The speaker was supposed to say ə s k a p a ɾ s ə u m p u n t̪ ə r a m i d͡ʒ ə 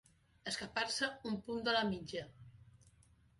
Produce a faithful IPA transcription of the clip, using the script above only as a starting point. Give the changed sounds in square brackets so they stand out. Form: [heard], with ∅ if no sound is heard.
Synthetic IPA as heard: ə s k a p a ɾ s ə u m p u n [d̪] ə [l] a m i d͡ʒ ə